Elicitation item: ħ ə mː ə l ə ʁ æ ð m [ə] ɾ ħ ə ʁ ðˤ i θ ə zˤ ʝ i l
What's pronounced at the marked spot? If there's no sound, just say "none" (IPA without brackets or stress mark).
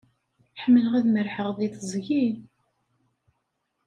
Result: ə